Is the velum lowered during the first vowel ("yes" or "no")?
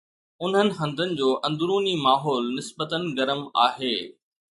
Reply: no